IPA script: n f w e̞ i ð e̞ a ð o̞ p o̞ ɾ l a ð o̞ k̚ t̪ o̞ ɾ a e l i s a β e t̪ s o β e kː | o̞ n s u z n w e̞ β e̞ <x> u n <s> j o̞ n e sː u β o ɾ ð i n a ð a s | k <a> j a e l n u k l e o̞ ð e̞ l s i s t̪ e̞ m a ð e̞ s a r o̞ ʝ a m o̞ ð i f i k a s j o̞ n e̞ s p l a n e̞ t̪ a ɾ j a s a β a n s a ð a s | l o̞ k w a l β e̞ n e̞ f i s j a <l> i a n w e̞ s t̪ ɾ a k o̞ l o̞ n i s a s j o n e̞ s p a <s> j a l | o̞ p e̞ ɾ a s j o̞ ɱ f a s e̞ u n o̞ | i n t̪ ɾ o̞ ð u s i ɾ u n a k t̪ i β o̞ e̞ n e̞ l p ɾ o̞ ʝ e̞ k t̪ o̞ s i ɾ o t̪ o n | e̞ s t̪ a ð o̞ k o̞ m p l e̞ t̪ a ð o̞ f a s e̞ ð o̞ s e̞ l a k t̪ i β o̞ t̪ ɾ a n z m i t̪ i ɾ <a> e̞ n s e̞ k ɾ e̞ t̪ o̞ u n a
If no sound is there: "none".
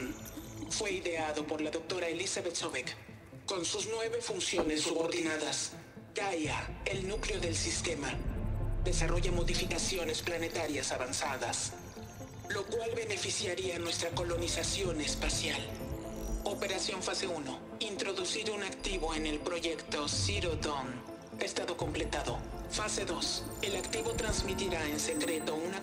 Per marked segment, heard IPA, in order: f, s, a, ɾ, s, a

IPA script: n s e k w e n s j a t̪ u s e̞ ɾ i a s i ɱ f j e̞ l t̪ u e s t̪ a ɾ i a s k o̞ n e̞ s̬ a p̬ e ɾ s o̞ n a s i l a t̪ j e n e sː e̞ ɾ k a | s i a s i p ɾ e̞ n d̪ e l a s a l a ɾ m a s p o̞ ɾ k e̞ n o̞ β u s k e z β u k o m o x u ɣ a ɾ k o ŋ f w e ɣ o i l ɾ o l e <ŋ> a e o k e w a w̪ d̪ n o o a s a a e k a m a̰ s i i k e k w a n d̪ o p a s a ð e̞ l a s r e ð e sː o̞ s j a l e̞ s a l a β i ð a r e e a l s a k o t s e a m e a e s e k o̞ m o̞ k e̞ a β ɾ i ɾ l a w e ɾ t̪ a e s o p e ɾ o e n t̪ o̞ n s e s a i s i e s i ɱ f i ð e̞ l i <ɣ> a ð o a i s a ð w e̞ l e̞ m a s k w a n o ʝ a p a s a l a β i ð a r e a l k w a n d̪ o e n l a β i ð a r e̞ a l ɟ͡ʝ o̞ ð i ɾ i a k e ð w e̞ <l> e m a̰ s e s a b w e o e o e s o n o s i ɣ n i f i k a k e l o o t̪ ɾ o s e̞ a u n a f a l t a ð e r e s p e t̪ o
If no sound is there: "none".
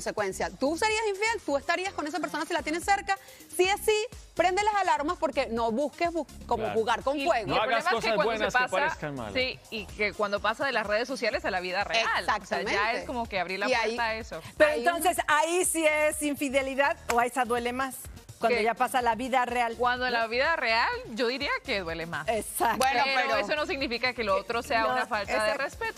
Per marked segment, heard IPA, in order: m, ð, l

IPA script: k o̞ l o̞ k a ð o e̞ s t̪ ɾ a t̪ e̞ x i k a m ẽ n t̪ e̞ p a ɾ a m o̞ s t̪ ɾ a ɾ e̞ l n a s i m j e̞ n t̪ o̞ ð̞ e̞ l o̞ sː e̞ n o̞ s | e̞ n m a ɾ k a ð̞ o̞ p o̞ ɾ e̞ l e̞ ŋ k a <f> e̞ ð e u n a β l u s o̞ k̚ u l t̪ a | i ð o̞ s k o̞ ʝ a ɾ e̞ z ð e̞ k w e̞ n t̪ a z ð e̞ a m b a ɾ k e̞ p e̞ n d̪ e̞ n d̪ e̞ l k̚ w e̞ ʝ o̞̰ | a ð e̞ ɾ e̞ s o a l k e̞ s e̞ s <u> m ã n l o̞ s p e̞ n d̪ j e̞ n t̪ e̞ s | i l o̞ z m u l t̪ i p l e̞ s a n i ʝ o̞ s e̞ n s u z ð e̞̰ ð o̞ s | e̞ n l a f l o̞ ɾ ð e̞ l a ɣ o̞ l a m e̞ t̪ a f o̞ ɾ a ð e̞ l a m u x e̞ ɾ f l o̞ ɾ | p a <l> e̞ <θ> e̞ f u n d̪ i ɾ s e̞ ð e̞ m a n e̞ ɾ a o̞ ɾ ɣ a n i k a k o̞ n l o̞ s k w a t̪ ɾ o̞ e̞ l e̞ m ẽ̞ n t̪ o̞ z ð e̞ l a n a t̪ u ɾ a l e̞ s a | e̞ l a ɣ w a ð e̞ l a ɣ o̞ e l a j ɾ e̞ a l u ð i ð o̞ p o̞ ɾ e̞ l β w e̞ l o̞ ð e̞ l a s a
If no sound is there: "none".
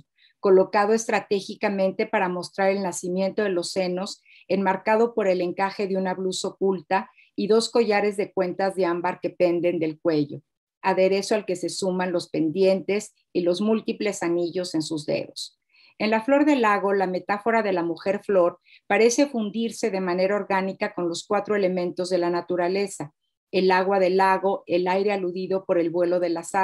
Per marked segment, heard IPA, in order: x, u, ɾ, s

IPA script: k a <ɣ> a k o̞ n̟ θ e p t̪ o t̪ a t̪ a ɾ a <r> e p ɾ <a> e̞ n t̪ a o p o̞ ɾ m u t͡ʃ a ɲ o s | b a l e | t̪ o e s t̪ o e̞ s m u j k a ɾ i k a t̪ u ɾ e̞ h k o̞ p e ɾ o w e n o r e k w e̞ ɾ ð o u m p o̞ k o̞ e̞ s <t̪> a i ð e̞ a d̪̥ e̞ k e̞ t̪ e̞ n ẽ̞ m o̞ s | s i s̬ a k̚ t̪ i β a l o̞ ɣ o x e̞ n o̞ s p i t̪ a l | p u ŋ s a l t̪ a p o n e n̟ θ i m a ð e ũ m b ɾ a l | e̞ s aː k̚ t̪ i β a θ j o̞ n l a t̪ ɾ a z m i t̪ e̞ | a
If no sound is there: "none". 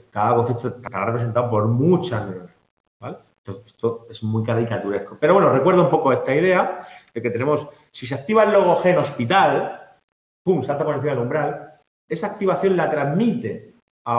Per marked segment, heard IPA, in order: ð, r, e, t̪

